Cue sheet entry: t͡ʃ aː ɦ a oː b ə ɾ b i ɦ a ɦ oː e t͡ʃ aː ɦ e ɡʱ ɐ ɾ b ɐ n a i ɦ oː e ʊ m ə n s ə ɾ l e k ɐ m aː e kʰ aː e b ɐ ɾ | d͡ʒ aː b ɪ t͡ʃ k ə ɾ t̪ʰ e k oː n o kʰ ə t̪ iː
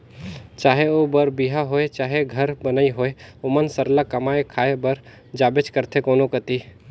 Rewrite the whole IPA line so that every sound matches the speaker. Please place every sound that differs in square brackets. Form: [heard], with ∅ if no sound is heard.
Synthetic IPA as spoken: t͡ʃ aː ɦ [e] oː b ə ɾ b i ɦ a ɦ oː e t͡ʃ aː ɦ e ɡʱ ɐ ɾ b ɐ n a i ɦ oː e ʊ m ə n s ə ɾ l [a] k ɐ m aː e kʰ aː e b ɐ ɾ | d͡ʒ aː b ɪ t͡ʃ k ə ɾ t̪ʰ e k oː n o [k] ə t̪ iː